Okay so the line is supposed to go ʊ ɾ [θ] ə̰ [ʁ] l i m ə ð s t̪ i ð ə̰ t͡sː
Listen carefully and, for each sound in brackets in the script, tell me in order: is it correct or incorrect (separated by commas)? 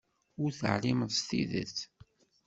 correct, incorrect